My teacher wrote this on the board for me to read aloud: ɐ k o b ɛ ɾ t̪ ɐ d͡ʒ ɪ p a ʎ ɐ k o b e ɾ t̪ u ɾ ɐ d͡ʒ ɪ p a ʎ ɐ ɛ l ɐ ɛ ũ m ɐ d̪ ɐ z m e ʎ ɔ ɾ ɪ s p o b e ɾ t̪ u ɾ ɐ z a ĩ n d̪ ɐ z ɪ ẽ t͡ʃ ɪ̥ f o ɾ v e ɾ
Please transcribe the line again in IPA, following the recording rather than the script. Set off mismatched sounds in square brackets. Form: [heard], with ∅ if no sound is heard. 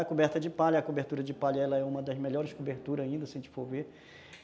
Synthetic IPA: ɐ k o b ɛ ɾ t̪ ɐ d͡ʒ ɪ p a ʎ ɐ k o b e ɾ t̪ u ɾ ɐ d͡ʒ ɪ p a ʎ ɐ ɛ l ɐ ɛ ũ m ɐ d̪ ɐ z m e ʎ ɔ ɾ ɪ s [k] o b e ɾ t̪ u ɾ ɐ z a ĩ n d̪ ɐ [s] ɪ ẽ t͡ʃ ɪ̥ f o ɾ v e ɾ

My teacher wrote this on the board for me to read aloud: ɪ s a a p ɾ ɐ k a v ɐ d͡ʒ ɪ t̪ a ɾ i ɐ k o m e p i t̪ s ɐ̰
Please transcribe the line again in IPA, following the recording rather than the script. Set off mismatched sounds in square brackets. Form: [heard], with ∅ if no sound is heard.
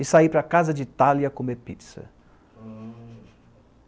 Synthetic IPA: ɪ s a [i] p ɾ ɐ k a [z] ɐ d͡ʒ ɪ t̪ a [l] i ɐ k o m e p i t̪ s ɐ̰

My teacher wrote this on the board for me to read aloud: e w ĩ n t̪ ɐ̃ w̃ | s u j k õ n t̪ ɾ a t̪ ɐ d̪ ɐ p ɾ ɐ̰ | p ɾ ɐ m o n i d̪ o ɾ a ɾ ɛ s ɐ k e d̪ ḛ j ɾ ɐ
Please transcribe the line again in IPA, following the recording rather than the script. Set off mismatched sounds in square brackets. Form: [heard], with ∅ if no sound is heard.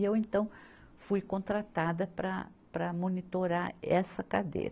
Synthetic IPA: e w [ẽ] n t̪ ɐ̃ w̃ | [f] u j k õ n t̪ ɾ a t̪ [a] d̪ ɐ p ɾ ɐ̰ | p ɾ ɐ m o n i [t̪] o ɾ a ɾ ɛ s ɐ k [a] d̪ ḛ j ɾ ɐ

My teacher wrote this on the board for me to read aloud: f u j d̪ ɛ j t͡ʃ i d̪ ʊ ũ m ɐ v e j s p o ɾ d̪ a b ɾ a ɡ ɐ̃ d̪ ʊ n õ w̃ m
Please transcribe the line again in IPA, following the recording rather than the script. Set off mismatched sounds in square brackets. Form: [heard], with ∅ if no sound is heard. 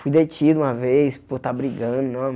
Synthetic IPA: f u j d̪ [e] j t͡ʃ i d̪ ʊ ũ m ɐ v e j s p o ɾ [t̪] a b ɾ [i] ɡ ɐ̃ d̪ ʊ n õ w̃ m

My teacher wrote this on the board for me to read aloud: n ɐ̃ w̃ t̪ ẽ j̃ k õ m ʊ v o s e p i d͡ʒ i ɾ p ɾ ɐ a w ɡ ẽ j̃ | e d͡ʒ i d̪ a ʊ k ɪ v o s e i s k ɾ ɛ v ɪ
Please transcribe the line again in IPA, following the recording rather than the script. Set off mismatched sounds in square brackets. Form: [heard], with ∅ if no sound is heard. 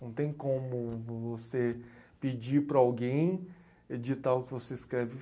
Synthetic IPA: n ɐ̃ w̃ t̪ ẽ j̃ k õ m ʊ v o s e p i d͡ʒ i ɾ p ɾ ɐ a w ɡ ẽ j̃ | e d͡ʒ i [t̪] a ʊ k ɪ v o s e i s k ɾ ɛ v ɪ

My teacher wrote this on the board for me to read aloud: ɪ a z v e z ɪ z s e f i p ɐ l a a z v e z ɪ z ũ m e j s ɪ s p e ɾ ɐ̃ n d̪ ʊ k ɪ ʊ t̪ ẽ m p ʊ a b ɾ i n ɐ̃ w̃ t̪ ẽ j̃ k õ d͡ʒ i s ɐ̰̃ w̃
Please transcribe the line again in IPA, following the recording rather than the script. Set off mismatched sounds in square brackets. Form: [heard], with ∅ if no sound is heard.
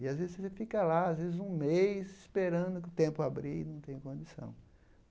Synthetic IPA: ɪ a z v e z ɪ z s e f i [k] ɐ l a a z v e z ɪ z ũ m e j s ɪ s p e ɾ ɐ̃ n d̪ ʊ k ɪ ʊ t̪ ẽ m p ʊ a b ɾ i n ɐ̃ w̃ t̪ ẽ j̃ k õ d͡ʒ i s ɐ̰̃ w̃

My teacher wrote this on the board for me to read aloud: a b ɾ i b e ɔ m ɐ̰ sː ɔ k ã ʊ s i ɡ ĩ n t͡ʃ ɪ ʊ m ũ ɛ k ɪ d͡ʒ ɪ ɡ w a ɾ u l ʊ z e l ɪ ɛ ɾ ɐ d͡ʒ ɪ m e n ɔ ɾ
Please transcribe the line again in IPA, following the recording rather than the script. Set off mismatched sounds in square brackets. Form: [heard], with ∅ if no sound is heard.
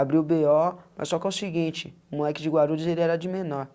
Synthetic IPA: a b ɾ i b e ɔ m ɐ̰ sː ɔ k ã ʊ s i ɡ ĩ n t͡ʃ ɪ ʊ m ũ ɛ k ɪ d͡ʒ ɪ ɡ w a ɾ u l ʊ z e l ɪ ɛ ɾ ɐ d͡ʒ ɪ m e n ɔ ɾ

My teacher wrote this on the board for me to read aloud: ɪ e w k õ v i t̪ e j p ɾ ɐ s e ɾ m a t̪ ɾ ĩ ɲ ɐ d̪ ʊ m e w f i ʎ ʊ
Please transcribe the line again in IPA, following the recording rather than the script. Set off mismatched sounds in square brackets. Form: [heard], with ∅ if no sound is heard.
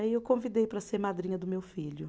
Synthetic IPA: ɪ e w k õ v i [d̪] e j p ɾ ɐ s e ɾ m a [d̪] ɾ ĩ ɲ ɐ d̪ ʊ m e w f i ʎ ʊ

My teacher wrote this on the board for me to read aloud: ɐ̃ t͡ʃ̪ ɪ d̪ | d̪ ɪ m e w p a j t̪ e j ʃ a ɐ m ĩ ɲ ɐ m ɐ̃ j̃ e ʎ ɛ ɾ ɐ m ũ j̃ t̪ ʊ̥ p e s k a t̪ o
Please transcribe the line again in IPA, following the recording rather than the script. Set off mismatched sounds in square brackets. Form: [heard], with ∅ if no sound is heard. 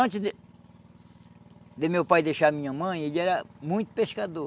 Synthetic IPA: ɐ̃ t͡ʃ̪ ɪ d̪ | d̪ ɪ m e w p a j [d̪] e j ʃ a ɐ m ĩ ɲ ɐ m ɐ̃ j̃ e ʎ ɛ ɾ ɐ m ũ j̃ t̪ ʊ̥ p e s k a [d̪] o

